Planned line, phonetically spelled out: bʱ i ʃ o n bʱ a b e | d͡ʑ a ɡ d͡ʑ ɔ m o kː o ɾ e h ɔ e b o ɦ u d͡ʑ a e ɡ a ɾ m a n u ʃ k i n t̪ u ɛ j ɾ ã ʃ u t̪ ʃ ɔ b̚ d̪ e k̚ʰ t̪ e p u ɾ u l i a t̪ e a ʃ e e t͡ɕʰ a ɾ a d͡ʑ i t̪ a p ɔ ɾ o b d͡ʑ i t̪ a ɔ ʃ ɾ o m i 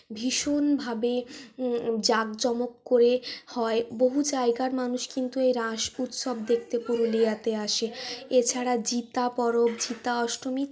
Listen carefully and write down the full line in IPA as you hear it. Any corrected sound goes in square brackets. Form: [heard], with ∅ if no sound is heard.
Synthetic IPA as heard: bʱ i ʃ o n bʱ a b e | d͡ʑ a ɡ d͡ʑ ɔ m o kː o ɾ e h ɔ e b o ɦ u d͡ʑ a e ɡ a ɾ m a n u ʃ k i n t̪ u [e] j ɾ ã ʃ u t̪ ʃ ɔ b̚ d̪ e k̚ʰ t̪ e p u ɾ u l i a t̪ e a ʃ e e t͡ɕʰ a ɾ a d͡ʑ i t̪ a p ɔ ɾ o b d͡ʑ i t̪ a ɔ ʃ ɾ o m i